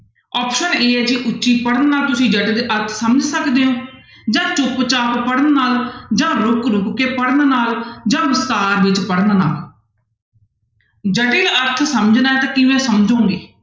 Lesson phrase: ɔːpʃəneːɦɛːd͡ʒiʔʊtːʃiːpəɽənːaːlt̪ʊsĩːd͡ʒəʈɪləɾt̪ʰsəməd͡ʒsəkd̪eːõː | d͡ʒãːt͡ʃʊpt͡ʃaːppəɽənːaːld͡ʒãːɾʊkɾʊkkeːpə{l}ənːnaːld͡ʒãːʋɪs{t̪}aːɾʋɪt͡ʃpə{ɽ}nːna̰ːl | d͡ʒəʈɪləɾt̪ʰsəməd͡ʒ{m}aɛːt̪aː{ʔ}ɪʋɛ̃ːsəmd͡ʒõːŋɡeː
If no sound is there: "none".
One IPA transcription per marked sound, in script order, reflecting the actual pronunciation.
ɽ, t̪, ɽ, n, k

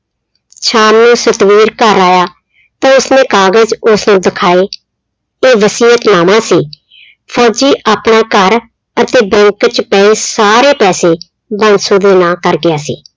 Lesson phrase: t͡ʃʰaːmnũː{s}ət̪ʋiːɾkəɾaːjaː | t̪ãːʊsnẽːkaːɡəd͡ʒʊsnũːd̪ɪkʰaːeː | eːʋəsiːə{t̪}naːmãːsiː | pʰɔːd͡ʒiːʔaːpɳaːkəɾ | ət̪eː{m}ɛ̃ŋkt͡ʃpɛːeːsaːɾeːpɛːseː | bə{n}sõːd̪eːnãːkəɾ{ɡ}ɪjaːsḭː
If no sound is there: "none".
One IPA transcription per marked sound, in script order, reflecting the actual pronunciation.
s, t̪, b, n, ɡ

